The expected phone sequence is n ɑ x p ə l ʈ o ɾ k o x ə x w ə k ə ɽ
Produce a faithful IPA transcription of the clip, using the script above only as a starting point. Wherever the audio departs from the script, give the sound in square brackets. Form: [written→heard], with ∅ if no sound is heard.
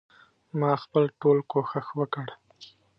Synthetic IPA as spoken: [n→m] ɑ x p ə l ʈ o [ɾ→l] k o x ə x w ə k ə ɽ